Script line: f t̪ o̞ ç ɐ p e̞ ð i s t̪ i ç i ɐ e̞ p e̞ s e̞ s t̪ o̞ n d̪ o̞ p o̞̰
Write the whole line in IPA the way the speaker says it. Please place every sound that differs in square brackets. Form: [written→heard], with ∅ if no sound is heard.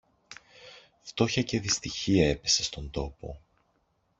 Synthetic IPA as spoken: f t̪ o̞ ç ɐ [p→c] e̞ ð i s t̪ i ç i ɐ e̞ p e̞ s e̞ s t̪ o̞ n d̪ o̞ p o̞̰